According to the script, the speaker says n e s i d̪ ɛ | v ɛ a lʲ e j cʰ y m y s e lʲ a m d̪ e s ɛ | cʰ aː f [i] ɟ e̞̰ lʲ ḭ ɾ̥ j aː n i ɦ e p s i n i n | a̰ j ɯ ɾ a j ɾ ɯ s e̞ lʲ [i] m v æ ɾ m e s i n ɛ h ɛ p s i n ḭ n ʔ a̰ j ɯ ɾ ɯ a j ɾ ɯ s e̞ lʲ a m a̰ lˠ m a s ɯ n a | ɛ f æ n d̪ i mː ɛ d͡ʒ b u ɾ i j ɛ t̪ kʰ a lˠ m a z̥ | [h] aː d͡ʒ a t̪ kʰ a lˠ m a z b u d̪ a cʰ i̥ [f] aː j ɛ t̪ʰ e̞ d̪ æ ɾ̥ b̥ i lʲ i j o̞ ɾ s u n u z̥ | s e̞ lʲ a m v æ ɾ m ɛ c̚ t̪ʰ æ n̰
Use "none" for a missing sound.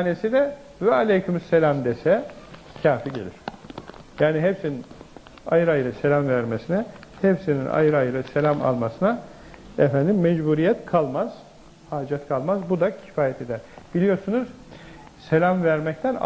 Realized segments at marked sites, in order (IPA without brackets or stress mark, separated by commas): i, a, h, f